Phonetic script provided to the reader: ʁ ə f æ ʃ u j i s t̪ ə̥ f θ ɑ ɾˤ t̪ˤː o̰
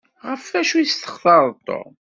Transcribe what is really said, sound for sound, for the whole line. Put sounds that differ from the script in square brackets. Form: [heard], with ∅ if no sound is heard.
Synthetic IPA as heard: ʁ ə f æ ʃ u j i s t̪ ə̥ [χ] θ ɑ ɾˤ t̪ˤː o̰